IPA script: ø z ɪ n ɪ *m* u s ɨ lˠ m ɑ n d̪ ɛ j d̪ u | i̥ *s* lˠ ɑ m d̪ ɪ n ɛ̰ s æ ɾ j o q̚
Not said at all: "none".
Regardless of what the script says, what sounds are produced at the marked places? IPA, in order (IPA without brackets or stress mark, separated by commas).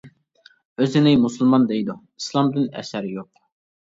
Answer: m, s